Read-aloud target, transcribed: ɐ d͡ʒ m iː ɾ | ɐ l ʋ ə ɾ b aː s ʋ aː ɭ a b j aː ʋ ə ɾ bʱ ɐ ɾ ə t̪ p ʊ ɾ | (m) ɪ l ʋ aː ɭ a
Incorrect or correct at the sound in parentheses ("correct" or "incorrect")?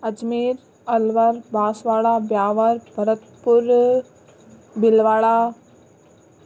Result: incorrect